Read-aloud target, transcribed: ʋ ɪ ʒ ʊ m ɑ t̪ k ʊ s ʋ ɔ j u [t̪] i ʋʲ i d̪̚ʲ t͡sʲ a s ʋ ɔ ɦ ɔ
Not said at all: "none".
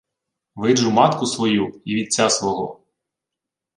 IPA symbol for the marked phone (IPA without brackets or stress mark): none